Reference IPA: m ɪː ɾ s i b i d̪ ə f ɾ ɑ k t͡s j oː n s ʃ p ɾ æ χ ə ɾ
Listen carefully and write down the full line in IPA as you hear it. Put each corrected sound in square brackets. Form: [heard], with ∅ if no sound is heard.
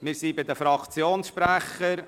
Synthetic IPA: m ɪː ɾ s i b [ɪ] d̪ ə f ɾ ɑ k t͡s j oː n s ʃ p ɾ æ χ ə ɾ